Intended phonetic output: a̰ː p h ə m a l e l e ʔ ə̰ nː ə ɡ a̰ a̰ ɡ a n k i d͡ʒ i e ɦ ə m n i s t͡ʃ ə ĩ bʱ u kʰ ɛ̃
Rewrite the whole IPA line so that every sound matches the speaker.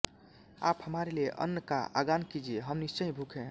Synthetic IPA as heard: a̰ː p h ə m a ɾ e l e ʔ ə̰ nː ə k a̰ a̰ ɡ a n k i d͡ʒ i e ɦ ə m n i s t͡ʃ ə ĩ bʱ u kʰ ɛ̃

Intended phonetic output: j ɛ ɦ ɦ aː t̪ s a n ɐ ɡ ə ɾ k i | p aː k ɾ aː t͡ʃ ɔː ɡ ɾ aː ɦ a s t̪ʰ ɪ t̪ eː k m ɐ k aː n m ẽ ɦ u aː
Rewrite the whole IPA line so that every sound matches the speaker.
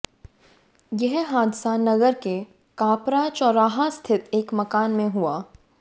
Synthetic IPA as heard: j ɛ ɦ ɦ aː d̪ s a n ɐ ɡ ə ɾ k e | k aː p ɾ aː t͡ʃ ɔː ɾ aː ɦ a s t̪ʰ ɪ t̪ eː k m ɐ k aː n m ẽ ɦ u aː

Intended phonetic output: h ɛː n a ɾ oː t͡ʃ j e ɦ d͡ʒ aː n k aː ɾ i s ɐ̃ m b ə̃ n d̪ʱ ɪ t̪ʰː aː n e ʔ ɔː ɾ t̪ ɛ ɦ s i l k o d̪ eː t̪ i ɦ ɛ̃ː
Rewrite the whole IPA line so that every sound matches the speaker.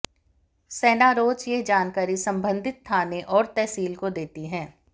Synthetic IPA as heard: s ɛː n a ɾ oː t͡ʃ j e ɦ d͡ʒ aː n k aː ɾ i s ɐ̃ m b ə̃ n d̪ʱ ɪ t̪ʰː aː n e ʔ ɔː ɾ t̪ ɛ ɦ s iː l k o d̪ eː t̪ i ɦ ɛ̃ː

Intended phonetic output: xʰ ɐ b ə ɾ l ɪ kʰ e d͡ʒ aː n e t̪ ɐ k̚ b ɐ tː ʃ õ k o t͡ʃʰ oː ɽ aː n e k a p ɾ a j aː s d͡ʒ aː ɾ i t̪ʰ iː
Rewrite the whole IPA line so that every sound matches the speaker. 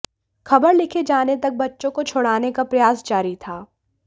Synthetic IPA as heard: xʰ ɐ b ə ɾ l ɪ kʰ e d͡ʒ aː n e t̪ ɐ k̚ b ɐ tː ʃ õ k o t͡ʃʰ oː ɽ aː n e k a p ɾ ɐ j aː s d͡ʒ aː ɾ i t̪ʰ aː

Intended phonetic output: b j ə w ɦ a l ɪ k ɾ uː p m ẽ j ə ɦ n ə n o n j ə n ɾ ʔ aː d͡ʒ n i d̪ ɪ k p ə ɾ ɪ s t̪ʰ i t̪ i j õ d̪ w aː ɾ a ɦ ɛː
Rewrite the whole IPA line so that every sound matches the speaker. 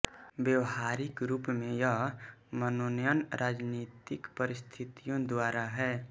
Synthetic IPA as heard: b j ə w ɦ a ɾ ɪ k ɾ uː p m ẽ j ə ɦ m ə n o n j ə n ɾ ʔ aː d͡ʒ n i t̪ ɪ k p ə ɾ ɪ s t̪ʰ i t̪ i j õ d̪ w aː ɾ a ɦ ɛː

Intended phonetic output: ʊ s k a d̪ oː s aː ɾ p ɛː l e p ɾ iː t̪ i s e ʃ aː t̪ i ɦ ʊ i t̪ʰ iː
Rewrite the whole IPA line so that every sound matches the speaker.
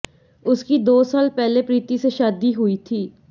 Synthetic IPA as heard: ʊ s k i d̪ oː s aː l p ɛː l e p ɾ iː t̪ i s e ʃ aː d̪ i ɦ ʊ i t̪ʰ iː

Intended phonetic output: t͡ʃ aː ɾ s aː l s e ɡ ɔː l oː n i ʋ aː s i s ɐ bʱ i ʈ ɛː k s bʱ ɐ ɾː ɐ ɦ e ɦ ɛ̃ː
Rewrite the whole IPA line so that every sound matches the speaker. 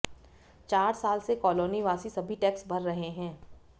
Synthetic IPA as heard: t͡ʃ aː ɾ s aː l s e k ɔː l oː n i ʋ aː s i s ɐ bʱ i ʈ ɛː k s bʱ ɐ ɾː ɐ ɦ e ɦ ɛ̃ː

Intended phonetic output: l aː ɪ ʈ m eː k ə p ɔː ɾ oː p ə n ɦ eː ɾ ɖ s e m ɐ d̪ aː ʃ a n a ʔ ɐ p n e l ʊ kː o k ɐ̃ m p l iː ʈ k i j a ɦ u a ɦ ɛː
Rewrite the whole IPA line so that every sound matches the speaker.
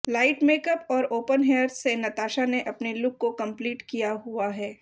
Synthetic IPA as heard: l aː ɪ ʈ m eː k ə p ɔː ɾ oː p ə n ɦ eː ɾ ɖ s e n ɐ t̪ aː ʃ a n e ʔ ɐ p n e l ʊ kː o k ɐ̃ m p l iː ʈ k i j a ɦ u a ɦ ɛː

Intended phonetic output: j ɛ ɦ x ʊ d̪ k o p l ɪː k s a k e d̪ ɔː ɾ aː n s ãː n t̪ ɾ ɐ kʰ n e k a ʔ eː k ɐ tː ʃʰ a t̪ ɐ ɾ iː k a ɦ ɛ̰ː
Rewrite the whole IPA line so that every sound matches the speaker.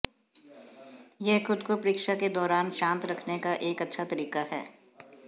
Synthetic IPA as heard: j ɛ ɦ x ʊ d̪ k o p ɾ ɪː k ʃ a k e d̪ ɔː ɾ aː n ʃ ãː n t̪ ɾ ɐ kʰ n e k a ʔ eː k ɐ tː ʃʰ a t̪ ɐ ɾ iː k a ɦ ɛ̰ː

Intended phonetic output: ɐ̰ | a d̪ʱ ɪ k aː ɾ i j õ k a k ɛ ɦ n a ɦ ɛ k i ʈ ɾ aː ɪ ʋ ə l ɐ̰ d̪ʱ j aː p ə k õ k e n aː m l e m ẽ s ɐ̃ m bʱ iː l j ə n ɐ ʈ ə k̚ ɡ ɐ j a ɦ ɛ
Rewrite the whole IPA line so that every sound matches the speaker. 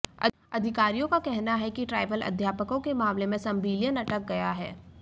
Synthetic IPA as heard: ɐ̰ | ɐ d̪ʱ ɪ k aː ɾ i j õ k a k ɛ ɦ n a ɦ ɛ k i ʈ ɾ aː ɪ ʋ ə l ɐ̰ d̪ʱ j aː p ə k õ k e m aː m l e m ẽ s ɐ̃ m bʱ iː l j ə n ɐ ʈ ə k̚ ɡ ɐ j a ɦ ɛː

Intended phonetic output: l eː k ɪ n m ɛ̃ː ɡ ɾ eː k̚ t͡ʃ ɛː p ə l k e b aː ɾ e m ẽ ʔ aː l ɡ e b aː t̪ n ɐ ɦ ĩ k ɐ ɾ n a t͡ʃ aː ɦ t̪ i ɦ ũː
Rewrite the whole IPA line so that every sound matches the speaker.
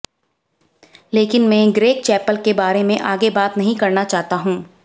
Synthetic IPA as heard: l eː k ɪ n m ɛ̃ː ɡ ɾ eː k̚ t͡ʃ ɛː p ə l k e b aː ɾ e m ẽ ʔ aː ɡ e b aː t̪ n ɐ ɦ ĩ k ɐ ɾ n a t͡ʃ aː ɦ t̪ a ɦ ũː

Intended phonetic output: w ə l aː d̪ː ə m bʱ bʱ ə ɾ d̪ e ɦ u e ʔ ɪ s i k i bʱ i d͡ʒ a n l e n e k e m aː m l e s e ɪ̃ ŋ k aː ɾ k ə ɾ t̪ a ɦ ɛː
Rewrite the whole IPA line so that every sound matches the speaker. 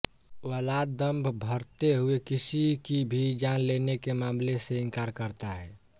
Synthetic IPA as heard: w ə l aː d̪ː ə m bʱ bʱ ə ɾ t̪ e ɦ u e k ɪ s i k i bʱ i d͡ʒ a n l e n e k e m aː m l e s e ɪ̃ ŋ k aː ɾ k ə ɾ t̪ a ɦ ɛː

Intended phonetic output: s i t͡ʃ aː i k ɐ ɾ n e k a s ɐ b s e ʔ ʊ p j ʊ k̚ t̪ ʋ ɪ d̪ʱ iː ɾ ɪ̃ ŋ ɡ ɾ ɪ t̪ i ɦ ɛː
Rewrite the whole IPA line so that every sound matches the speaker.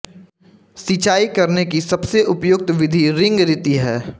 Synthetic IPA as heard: s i t͡ʃ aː i k ɐ ɾ n e k i s ɐ b s e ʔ ʊ p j ʊ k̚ t̪ ʋ ɪ d̪ʱ i ɾ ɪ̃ ŋ ɡ ɾ ɪ t̪ i ɦ ɛː

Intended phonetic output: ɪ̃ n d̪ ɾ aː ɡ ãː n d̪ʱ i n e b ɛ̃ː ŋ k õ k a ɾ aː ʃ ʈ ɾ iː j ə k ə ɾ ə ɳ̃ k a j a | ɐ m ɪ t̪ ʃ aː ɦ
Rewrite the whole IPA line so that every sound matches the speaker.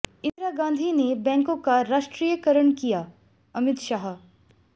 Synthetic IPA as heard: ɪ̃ n d̪ ɾ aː ɡ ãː n d̪ʱ i n e b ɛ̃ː ŋ k õ k a ɾ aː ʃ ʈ ɾ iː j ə k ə ɾ ə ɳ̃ k i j a | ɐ m ɪ t̪ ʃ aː ɦ

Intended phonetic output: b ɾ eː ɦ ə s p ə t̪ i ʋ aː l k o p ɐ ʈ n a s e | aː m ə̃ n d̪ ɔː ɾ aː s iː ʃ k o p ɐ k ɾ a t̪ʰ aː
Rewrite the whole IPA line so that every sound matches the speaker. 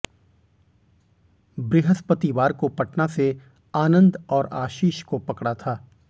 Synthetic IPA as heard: b ɾ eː ɦ ə s p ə t̪ i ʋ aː ɾ k o p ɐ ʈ n a s e | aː n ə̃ n d̪ ɔː ɾ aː ʃ iː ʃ k o p ɐ k ɽ a t̪ʰ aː

